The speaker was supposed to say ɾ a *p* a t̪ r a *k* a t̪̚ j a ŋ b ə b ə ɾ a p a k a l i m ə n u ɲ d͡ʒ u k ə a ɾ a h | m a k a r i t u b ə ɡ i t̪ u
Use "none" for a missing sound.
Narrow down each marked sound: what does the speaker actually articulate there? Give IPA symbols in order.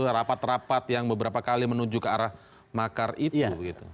p, p

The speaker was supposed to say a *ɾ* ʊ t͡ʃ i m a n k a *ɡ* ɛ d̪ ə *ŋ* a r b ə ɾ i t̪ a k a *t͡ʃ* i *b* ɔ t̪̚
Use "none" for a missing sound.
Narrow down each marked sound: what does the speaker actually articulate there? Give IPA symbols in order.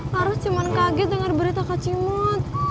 ɾ, ɡ, ŋ, t͡ʃ, m

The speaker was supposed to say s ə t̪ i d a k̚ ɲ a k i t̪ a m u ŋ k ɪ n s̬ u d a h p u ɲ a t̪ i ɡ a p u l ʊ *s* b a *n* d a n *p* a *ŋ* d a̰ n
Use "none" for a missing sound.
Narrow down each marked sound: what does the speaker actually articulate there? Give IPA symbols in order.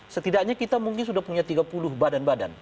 h, none, b, none

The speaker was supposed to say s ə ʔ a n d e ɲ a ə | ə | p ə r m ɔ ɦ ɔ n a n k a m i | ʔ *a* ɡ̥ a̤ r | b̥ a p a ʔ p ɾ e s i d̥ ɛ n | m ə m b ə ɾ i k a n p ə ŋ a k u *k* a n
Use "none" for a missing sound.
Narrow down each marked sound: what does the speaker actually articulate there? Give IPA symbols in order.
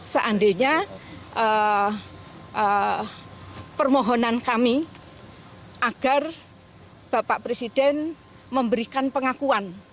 a, none

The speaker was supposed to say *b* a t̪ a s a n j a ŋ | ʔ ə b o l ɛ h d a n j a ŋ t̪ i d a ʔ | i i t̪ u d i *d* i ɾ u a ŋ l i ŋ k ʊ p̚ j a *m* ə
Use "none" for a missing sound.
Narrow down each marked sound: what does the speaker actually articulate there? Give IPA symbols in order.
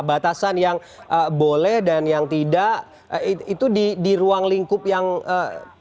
b, d, ŋ

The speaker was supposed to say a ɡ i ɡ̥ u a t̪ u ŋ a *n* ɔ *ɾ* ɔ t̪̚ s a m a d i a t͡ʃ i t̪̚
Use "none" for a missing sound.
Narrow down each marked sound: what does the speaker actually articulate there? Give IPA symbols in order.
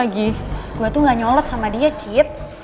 ɲ, l

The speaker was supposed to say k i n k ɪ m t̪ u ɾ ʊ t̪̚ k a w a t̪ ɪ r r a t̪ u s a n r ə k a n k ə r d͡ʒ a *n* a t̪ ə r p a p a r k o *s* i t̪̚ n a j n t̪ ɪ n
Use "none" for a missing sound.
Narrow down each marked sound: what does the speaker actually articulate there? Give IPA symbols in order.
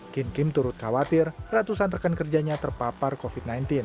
ɲ, f

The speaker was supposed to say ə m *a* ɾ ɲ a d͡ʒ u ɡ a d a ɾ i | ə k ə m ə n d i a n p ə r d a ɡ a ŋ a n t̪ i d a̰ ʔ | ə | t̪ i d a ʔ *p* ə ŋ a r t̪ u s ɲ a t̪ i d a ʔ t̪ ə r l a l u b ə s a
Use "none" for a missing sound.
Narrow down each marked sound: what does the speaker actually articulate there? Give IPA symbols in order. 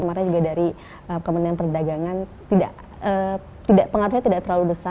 a, p

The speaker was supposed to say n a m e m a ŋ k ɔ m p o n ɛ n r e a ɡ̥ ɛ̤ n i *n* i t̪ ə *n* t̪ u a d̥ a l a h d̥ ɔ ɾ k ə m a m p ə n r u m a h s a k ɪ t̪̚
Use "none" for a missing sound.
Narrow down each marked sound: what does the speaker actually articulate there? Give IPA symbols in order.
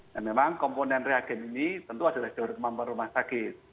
n, n

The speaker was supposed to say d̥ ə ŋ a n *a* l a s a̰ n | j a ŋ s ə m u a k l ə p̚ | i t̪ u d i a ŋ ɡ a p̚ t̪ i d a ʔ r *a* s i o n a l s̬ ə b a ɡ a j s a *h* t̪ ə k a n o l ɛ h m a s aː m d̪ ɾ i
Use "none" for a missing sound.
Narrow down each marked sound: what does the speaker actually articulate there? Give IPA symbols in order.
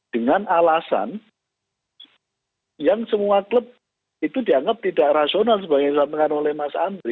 a, a, none

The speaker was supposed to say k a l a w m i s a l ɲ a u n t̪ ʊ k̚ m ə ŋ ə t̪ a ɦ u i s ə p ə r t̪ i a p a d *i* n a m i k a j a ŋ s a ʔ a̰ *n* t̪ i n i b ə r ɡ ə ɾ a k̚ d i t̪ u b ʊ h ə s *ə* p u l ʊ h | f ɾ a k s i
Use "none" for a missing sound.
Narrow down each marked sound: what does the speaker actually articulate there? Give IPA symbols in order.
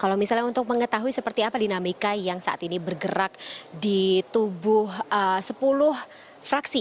i, none, ə

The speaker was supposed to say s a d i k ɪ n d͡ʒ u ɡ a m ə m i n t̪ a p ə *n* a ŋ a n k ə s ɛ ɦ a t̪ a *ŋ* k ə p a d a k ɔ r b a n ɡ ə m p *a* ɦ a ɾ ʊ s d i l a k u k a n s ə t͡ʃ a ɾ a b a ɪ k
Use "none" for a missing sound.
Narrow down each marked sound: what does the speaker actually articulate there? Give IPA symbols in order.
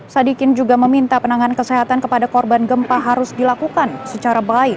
n, n, a

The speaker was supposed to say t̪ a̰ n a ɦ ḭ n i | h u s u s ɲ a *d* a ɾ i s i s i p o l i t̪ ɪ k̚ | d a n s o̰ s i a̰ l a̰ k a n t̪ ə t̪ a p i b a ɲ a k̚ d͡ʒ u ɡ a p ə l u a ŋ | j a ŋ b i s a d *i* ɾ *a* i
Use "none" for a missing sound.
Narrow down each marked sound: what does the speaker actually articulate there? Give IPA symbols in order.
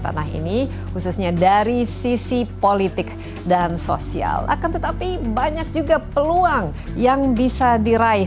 d, i, a

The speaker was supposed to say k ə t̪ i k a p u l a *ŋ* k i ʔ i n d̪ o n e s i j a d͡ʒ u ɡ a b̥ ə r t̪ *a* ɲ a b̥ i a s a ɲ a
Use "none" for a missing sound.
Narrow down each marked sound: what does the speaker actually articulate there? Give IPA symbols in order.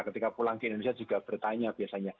ŋ, a

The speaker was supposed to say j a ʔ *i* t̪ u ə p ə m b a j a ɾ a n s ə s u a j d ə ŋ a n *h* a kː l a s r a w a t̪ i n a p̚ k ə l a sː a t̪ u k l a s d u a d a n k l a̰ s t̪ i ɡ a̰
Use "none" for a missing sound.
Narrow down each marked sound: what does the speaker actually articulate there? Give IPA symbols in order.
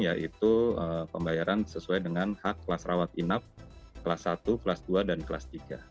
i, h

